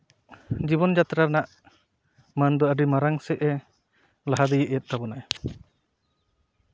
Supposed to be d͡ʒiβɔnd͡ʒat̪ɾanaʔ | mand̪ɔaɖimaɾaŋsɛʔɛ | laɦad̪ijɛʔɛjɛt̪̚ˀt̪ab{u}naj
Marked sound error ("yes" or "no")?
yes